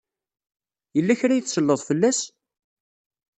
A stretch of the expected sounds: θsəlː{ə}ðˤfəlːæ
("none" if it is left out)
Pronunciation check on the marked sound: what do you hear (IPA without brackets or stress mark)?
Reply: ə